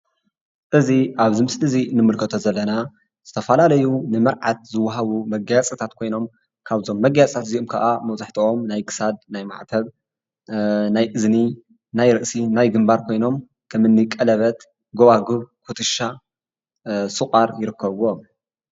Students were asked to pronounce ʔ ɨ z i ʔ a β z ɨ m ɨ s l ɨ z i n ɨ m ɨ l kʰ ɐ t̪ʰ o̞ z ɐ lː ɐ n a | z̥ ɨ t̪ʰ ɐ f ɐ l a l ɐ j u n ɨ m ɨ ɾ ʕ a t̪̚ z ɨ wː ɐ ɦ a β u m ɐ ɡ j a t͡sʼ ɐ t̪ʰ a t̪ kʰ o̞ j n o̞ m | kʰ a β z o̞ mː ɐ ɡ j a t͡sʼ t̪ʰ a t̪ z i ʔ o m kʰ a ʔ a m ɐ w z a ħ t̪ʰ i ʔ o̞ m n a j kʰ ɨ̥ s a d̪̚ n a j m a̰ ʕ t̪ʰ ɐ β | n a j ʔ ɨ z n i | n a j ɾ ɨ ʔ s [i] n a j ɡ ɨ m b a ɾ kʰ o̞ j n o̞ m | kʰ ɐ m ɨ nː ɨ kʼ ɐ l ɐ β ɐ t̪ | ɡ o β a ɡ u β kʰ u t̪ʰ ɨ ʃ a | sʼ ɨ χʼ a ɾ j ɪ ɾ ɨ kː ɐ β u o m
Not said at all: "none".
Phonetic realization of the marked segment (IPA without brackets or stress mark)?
i